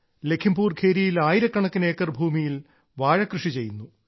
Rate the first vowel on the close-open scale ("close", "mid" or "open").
mid